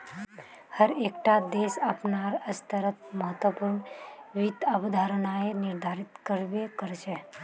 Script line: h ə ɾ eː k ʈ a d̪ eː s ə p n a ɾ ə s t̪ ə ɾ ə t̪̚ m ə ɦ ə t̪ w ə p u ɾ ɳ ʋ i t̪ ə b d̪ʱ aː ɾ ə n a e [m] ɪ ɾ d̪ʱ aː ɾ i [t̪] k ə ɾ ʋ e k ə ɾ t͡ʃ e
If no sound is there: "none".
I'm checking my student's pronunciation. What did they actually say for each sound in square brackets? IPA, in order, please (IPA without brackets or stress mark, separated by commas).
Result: n, t̪